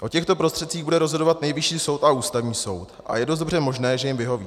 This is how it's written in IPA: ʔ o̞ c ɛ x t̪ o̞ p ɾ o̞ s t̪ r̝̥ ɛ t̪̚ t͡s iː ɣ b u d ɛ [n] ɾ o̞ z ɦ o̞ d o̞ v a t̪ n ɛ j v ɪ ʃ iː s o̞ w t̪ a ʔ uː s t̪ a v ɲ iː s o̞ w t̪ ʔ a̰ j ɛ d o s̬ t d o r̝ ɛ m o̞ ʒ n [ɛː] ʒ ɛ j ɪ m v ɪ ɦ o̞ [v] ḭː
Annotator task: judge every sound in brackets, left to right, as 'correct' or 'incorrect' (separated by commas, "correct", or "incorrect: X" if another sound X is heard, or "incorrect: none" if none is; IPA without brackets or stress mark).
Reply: incorrect: none, correct, correct